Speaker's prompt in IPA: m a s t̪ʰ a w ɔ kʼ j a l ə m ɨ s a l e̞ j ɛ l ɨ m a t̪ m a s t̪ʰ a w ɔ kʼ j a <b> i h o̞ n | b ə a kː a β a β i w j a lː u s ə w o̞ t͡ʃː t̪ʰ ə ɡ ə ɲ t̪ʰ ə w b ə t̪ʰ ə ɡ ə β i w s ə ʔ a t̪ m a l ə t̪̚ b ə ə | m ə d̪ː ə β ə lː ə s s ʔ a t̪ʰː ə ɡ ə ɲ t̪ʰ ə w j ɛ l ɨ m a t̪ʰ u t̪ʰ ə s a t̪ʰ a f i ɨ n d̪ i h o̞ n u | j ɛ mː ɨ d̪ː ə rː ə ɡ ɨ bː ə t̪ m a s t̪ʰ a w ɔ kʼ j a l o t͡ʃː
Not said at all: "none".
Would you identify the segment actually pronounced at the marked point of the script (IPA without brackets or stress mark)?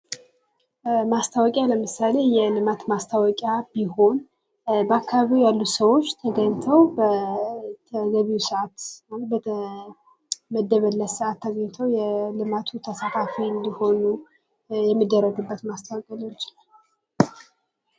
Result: b